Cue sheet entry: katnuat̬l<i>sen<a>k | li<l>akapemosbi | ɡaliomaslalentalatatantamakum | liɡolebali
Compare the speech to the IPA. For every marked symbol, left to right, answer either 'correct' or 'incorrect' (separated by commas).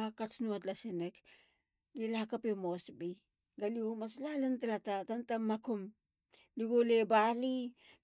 incorrect, incorrect, correct